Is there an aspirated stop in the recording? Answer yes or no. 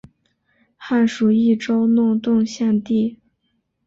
no